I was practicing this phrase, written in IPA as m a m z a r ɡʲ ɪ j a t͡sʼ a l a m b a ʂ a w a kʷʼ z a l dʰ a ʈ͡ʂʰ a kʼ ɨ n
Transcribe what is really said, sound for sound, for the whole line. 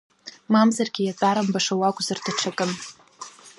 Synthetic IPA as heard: m a m z a r ɡʲ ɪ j a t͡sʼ a ɾ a m b a ʂ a w a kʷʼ z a r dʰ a ʈ͡ʂʰ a kʼ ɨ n